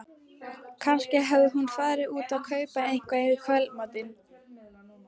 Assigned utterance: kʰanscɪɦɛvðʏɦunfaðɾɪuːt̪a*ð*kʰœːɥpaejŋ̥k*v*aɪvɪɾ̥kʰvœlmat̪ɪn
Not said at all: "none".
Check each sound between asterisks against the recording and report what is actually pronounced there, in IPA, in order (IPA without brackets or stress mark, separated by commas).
ð, v